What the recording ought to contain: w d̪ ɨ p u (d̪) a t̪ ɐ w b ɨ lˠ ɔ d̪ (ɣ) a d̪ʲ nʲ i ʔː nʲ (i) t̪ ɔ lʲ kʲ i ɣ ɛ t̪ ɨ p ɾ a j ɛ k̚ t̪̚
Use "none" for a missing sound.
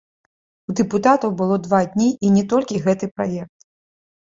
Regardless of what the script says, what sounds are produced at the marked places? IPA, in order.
t̪, v, ɛ

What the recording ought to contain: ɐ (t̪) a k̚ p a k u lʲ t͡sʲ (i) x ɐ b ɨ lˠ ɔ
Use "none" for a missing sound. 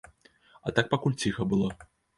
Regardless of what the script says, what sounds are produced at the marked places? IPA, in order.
t̪, i

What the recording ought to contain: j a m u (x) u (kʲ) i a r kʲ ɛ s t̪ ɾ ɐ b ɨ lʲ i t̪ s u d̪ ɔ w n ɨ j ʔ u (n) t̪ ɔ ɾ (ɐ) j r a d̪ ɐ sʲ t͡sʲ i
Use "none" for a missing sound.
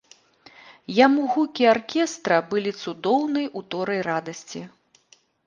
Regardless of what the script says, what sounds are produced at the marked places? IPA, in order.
ɣ, kʲ, none, ɐ

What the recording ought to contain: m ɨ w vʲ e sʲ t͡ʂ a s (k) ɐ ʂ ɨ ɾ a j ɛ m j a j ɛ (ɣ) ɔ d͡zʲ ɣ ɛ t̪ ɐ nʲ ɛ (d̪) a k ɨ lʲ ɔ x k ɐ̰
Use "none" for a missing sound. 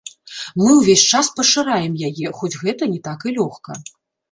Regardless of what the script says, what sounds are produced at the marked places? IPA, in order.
p, x, t̪

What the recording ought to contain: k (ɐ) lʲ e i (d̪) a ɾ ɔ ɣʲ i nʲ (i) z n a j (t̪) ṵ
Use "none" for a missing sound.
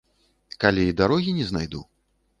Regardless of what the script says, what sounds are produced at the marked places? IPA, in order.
a, d̪, ɛ, d̪

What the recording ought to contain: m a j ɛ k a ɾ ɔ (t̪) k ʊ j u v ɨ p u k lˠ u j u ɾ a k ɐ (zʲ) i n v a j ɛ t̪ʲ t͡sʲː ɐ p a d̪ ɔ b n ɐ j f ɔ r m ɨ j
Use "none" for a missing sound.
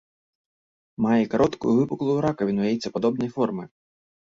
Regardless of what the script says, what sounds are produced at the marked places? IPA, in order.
t̪, vʲ

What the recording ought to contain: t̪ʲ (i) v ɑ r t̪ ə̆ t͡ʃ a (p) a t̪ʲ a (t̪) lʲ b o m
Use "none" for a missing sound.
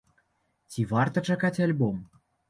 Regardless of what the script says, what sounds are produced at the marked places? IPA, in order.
i, k, none

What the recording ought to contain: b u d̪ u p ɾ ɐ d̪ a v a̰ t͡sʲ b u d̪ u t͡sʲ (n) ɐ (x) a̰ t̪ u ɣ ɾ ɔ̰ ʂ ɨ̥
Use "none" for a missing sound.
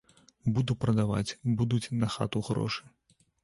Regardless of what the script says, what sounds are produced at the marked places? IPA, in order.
n, x

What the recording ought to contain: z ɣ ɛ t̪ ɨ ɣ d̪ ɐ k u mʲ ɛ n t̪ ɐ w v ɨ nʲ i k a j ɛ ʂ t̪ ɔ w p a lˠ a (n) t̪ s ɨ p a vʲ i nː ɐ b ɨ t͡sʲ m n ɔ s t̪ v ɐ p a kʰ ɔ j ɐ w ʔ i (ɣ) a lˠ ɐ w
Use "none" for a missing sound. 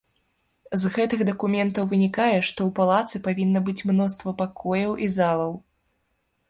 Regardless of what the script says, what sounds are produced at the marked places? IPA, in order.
none, z

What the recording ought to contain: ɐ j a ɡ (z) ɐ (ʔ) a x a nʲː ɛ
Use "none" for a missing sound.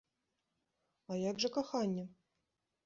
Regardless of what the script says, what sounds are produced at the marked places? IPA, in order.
ʐ, k

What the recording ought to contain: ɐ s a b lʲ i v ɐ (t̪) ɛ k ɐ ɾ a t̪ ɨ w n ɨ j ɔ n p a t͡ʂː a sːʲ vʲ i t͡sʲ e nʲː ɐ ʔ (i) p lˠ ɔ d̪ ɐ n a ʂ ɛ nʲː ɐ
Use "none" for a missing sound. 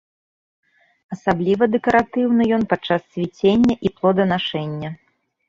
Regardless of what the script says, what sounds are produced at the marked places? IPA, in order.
d̪, i

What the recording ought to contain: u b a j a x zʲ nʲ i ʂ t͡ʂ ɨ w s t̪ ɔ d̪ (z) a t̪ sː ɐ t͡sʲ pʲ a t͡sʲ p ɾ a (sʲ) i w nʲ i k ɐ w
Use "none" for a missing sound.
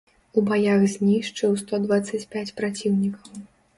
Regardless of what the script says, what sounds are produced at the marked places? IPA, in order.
v, t͡sʲ

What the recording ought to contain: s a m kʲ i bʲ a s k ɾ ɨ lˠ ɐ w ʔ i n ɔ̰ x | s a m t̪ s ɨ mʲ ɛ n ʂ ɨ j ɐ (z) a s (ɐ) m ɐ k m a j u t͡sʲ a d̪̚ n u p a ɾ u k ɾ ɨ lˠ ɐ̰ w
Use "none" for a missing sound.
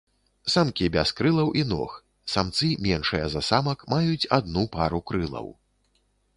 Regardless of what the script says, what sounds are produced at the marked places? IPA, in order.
z, a

